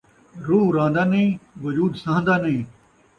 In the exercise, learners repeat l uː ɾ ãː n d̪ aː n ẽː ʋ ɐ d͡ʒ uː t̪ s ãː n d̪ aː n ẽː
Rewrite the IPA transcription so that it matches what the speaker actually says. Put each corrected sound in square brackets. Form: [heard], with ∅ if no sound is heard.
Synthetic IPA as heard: [ɾ] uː ɾ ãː n d̪ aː n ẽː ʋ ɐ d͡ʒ uː [d̪] s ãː n d̪ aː n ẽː